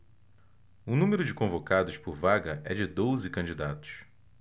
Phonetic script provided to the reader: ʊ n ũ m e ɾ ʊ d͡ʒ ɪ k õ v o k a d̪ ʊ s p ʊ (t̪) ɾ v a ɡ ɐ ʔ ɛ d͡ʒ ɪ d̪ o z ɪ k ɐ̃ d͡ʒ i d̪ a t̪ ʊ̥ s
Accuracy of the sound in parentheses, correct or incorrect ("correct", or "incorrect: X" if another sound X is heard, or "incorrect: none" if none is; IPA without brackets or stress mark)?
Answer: incorrect: none